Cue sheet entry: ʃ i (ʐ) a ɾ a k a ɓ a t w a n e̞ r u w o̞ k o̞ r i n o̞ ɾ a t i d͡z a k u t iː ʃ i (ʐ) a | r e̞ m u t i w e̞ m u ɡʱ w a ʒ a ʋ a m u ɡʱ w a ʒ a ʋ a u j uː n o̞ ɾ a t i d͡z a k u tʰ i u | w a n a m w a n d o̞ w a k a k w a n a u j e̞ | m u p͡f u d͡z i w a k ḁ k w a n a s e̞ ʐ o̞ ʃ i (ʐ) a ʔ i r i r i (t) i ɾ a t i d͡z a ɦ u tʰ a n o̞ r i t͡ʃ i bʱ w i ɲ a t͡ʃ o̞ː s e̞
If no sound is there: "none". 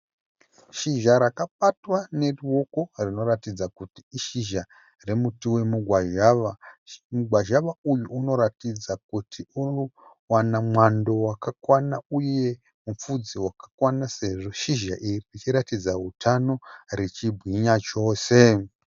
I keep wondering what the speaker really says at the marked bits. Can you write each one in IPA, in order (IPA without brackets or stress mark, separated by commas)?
ʒ, ʒ, ʒ, t͡ʃ